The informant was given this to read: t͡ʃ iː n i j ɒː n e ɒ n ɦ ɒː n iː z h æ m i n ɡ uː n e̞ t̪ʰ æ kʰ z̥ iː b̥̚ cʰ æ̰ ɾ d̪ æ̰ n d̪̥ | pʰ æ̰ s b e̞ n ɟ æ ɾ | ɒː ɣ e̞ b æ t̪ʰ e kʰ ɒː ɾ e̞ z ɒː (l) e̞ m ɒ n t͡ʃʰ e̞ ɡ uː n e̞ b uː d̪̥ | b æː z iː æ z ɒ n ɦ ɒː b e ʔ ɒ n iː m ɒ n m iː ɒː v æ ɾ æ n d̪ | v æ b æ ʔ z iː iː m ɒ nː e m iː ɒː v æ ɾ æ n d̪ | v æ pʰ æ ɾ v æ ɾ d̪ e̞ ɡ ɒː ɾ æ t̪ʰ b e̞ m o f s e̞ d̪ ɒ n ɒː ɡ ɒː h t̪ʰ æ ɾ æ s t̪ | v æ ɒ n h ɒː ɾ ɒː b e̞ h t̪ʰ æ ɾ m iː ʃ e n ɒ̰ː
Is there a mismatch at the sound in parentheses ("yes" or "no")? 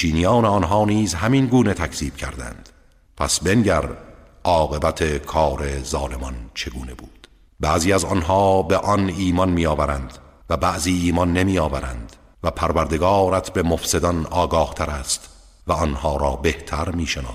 no